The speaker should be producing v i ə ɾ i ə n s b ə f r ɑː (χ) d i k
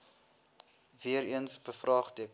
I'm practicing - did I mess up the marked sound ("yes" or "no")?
no